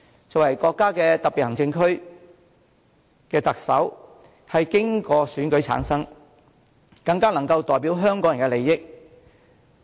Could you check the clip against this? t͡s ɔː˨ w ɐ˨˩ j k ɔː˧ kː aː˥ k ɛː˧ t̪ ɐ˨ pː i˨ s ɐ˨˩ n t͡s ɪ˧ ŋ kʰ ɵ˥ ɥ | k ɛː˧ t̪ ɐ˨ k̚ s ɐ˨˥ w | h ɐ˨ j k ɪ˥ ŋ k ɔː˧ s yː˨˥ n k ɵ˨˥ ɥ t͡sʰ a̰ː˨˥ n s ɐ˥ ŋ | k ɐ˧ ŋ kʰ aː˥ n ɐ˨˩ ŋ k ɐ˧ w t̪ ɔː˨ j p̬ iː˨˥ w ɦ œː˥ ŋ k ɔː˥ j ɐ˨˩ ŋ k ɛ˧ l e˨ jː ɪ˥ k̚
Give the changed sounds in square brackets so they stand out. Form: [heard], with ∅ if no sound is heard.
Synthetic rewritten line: t͡s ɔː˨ w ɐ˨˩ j k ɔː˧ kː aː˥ k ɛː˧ t̪ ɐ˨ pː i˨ [h] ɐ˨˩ [ŋ] t͡s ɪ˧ ŋ kʰ ɵ˥ ɥ | k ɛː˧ t̪ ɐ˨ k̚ s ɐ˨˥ w | h ɐ˨ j k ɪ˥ ŋ k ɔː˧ s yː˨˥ n k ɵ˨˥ ɥ t͡sʰ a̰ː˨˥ n s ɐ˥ ŋ | k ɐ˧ ŋ [k] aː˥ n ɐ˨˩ ŋ k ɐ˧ w t̪ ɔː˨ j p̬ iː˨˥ w ɦ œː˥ ŋ k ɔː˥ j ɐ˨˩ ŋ k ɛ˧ l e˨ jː ɪ˥ k̚